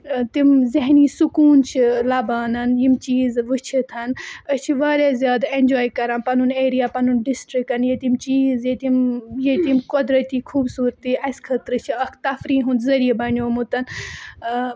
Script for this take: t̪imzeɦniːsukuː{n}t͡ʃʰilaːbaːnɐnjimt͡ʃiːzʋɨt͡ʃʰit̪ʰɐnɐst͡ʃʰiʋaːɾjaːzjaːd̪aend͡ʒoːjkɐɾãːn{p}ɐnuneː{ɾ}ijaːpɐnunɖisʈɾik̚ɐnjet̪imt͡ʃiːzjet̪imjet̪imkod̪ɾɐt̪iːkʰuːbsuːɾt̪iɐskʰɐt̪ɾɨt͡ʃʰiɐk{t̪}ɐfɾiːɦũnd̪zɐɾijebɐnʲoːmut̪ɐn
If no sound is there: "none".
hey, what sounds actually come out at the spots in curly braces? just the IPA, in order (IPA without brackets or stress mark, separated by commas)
n, p, ɾ, t̪